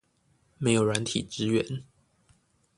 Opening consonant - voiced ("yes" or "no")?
yes